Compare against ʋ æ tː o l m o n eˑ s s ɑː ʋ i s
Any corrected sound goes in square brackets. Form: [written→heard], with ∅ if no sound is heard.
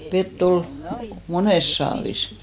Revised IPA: ʋ [æ→e] tː o l m o n eˑ s s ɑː ʋ i s